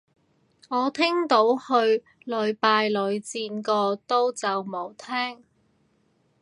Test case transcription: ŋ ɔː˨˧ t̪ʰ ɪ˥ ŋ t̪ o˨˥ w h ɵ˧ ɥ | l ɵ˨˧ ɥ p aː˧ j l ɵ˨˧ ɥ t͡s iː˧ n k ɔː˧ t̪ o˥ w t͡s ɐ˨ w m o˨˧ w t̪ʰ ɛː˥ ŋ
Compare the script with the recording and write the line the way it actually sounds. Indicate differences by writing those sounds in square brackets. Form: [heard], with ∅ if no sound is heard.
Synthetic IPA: ŋ ɔː˨˧ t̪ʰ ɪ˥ ŋ t̪ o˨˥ w h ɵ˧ ɥ | l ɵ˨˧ ɥ p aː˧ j l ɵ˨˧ ɥ t͡s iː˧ n k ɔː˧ t̪ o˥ w t͡s ɐ˨ w m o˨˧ w t̪ʰ ɛː˥ ŋ